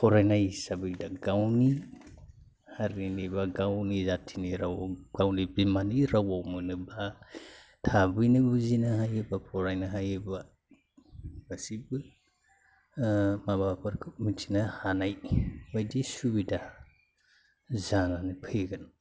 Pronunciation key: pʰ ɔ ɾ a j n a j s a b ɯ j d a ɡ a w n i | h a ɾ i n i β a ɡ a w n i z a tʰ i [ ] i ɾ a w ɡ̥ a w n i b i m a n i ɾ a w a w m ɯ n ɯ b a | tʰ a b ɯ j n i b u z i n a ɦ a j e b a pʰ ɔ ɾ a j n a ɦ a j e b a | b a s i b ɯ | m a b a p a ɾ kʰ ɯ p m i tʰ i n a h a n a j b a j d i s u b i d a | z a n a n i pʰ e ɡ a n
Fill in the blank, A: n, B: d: A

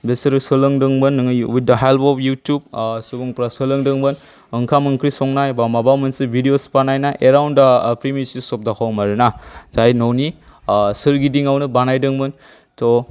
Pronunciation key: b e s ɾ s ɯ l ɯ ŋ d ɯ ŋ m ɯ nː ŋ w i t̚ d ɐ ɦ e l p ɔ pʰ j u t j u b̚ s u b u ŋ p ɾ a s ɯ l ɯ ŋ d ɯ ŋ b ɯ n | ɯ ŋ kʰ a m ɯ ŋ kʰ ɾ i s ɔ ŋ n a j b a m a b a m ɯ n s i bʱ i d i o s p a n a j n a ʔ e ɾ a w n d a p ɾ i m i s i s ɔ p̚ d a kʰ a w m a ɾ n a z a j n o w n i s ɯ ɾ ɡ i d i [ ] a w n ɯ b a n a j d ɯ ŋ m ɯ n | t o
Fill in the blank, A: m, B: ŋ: B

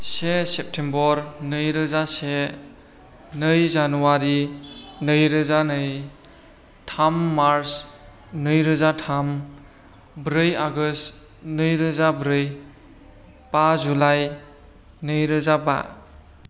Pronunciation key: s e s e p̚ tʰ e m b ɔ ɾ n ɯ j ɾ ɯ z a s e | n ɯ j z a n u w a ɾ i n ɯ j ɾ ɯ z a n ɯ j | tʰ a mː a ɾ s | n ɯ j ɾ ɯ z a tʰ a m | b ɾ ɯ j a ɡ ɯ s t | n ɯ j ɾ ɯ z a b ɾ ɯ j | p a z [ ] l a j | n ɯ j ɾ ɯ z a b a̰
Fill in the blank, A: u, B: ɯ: A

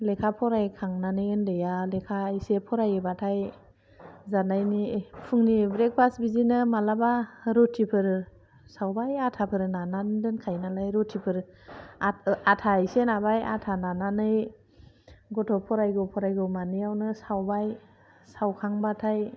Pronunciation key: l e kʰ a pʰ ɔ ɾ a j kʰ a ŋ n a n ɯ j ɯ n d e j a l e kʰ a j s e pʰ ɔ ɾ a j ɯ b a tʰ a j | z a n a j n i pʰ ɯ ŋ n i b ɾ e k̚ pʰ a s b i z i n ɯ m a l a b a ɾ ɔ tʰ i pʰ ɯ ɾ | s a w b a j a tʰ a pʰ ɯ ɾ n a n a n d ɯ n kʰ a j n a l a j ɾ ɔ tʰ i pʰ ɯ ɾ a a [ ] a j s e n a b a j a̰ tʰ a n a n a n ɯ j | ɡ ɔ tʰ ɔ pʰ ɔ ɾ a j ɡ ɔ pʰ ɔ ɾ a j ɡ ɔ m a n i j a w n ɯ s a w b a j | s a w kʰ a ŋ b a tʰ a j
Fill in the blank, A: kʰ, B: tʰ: B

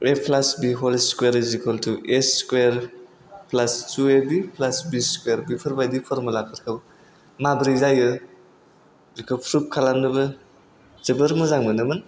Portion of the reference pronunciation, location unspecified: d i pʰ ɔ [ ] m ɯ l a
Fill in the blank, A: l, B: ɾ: B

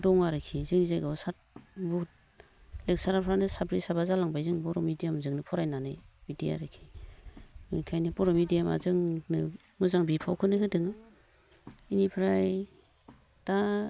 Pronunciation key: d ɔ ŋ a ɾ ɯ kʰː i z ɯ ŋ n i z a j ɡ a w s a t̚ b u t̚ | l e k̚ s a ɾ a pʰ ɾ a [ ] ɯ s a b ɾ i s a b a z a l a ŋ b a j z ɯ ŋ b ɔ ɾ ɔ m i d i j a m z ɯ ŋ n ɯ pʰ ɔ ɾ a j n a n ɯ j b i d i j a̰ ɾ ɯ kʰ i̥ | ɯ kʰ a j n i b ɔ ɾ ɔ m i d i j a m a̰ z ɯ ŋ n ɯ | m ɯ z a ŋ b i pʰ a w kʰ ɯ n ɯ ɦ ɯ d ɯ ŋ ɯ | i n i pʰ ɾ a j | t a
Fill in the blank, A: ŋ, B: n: B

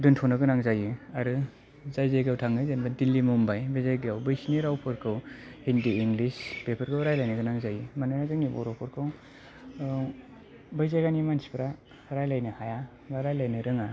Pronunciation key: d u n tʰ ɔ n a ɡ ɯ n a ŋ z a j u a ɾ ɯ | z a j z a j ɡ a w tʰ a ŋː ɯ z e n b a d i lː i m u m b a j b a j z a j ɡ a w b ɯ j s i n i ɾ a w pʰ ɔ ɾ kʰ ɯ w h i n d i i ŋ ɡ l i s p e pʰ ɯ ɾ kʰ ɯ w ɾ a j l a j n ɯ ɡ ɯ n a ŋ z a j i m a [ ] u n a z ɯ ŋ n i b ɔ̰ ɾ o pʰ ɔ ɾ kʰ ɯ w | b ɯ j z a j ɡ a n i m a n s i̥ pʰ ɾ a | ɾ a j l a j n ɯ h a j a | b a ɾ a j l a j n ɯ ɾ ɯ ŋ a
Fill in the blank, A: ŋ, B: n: B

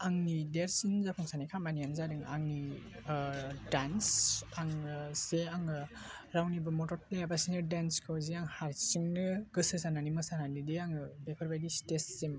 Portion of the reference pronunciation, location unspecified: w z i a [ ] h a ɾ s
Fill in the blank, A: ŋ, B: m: A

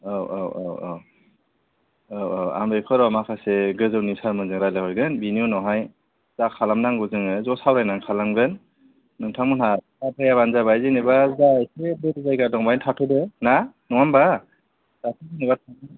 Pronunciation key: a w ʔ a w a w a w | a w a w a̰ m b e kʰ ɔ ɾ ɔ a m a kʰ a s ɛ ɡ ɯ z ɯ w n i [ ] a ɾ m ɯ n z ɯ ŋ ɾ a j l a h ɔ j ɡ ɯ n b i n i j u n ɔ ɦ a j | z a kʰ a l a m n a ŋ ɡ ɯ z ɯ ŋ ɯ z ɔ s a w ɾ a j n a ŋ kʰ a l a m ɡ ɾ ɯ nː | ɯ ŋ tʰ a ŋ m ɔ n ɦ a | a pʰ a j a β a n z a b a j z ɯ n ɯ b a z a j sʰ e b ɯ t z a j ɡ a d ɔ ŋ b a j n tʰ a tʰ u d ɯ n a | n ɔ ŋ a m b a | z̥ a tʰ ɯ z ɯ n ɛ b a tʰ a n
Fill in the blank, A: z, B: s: B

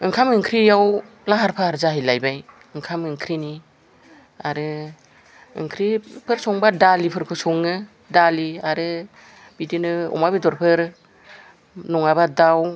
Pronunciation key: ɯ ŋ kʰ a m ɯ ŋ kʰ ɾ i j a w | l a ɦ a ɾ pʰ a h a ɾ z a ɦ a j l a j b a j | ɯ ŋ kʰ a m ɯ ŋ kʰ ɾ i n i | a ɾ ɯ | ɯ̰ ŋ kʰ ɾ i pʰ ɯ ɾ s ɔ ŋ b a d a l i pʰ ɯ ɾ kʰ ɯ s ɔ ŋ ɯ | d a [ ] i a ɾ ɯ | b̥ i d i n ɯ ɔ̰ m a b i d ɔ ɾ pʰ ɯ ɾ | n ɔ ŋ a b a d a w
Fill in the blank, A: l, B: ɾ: A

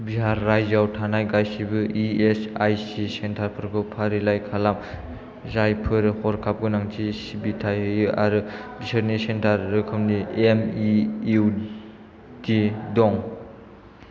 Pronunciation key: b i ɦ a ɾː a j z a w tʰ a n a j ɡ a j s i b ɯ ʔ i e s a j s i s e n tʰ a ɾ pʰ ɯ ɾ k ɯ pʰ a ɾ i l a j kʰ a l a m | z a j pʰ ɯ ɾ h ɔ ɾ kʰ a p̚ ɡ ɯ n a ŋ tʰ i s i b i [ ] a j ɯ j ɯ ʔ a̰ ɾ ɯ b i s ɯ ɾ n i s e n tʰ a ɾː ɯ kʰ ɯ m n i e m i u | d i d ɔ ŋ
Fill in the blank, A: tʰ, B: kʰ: A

